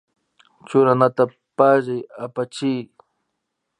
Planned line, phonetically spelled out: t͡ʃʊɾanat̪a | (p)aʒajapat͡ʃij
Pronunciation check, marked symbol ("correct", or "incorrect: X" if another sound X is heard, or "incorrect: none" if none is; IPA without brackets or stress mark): correct